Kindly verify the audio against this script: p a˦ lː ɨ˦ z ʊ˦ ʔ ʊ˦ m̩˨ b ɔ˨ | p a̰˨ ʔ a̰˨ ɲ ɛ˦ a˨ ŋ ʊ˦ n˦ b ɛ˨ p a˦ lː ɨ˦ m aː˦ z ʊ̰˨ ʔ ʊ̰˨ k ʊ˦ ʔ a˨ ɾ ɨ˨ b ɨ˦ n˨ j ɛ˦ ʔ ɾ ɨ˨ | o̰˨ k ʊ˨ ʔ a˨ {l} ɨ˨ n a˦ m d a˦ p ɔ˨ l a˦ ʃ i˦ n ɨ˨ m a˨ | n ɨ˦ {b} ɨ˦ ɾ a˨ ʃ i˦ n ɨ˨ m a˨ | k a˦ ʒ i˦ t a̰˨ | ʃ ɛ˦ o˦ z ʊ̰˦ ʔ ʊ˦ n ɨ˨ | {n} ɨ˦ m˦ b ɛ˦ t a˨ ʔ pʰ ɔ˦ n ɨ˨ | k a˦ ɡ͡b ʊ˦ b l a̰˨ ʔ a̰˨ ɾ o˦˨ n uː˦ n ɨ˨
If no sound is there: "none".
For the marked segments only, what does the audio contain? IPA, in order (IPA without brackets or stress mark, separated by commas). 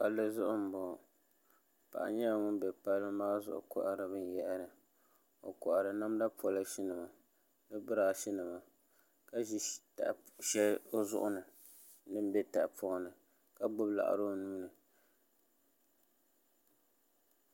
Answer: ɾ, b, n